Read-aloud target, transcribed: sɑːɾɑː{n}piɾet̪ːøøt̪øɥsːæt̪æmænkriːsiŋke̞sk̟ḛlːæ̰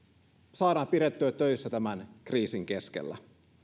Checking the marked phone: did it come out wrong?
yes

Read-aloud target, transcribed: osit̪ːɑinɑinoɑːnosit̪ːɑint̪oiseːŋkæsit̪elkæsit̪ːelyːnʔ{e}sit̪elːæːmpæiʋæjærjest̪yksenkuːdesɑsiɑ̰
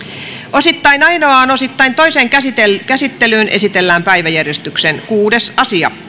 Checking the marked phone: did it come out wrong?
no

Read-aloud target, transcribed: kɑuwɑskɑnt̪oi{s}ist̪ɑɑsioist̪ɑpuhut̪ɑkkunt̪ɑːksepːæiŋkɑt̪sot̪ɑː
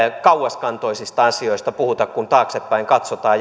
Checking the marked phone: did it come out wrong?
no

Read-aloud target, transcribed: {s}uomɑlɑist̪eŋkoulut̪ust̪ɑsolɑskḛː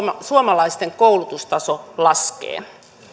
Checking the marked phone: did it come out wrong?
no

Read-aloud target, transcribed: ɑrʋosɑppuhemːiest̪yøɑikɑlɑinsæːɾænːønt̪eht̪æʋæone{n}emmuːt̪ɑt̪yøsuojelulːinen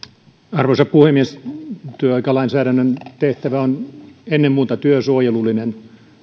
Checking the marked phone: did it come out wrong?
yes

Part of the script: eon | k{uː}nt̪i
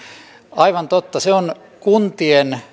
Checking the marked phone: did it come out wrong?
yes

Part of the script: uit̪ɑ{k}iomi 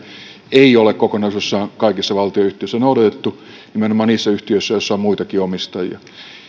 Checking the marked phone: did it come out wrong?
no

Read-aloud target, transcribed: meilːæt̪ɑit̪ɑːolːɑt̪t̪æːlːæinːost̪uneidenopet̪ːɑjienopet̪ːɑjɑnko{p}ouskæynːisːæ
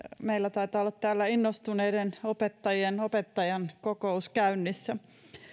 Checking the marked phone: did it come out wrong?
yes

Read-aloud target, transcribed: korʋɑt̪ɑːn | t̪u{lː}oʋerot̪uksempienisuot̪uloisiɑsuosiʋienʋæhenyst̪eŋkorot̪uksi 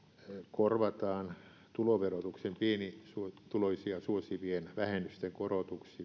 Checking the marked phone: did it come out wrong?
yes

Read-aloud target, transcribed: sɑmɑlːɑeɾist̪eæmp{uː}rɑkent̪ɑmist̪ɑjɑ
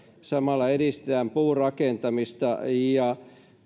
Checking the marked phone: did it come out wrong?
no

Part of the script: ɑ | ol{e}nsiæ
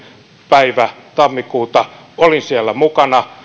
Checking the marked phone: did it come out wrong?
yes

